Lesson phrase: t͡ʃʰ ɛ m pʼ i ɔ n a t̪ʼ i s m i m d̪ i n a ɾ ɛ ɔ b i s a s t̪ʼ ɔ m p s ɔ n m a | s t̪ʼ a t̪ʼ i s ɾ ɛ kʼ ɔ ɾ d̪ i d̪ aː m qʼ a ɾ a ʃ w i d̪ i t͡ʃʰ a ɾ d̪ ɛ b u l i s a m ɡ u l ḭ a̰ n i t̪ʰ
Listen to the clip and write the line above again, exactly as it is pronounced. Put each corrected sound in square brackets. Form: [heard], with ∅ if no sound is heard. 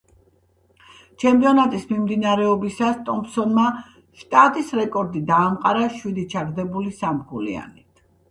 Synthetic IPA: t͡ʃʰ ɛ m pʼ i ɔ n a t̪ʼ i s m i m d̪ i n a ɾ ɛ ɔ b i s a s t̪ʼ ɔ m p s ɔ n m a | [ʃ] t̪ʼ a t̪ʼ i s ɾ ɛ kʼ ɔ ɾ d̪ i d̪ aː m qʼ a ɾ a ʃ w i d̪ i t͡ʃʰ a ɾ d̪ ɛ b u l i s a m ɡ u l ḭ a̰ n i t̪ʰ